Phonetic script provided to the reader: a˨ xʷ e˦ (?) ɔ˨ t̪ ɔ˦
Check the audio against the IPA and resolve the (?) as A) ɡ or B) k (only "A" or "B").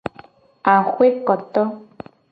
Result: B